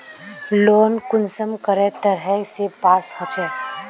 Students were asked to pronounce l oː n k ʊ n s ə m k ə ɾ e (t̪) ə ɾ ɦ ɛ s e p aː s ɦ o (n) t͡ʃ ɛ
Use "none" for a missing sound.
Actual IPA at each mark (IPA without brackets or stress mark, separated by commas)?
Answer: t̪, none